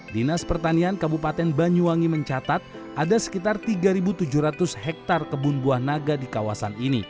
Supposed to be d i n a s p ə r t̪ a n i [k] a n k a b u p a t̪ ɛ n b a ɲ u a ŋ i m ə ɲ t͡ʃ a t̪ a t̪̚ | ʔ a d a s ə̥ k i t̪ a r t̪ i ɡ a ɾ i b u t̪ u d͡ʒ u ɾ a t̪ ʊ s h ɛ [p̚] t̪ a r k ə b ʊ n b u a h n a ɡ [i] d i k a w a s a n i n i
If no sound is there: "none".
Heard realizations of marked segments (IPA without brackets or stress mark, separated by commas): none, k̚, a